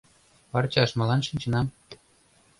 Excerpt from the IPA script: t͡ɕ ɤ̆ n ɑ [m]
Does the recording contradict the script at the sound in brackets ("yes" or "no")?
no